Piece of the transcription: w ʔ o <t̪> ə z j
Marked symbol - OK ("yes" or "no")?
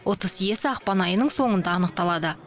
yes